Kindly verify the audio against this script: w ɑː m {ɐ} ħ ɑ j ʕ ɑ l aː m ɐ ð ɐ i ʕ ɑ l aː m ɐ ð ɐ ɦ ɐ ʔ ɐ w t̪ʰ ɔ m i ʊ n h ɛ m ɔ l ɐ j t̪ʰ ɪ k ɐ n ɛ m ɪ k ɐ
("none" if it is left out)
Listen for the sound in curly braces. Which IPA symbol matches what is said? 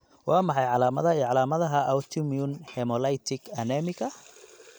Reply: ɑ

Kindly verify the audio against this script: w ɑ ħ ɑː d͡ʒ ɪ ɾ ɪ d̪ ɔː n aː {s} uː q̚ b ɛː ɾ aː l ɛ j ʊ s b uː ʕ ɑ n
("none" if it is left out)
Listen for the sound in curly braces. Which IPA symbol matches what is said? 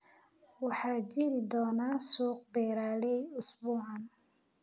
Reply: s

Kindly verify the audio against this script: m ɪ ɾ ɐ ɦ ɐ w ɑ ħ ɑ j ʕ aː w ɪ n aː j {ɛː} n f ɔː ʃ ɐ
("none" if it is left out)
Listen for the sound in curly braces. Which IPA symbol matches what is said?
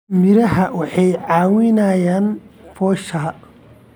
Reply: aː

